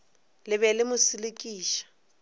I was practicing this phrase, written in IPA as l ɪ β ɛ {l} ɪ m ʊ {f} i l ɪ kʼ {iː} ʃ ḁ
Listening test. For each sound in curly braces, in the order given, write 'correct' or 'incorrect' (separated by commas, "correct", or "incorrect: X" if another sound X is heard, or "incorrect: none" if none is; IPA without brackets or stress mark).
correct, incorrect: s, correct